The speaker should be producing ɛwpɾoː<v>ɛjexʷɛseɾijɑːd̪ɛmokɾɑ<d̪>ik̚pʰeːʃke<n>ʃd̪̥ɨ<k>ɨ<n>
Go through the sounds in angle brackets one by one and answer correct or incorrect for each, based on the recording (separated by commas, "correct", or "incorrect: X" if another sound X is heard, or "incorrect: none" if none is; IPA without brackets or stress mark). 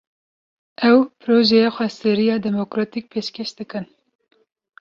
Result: incorrect: ʒ, incorrect: t̪, incorrect: none, correct, correct